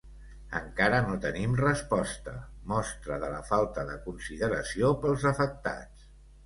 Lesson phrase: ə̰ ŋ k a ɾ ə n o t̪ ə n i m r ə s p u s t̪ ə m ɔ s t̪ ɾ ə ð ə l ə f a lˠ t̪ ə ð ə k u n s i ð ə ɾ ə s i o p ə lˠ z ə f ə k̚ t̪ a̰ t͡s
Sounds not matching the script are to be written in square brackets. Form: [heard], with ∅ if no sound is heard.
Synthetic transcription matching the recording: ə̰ ŋ k a ɾ ə n o t̪ ə n i m r ə s p [ɔ] s t̪ ə m ɔ s t̪ ɾ ə ð ə l ə f a lˠ t̪ ə ð ə k u n s i ð ə ɾ ə s i o p ə lˠ z ə f ə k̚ t̪ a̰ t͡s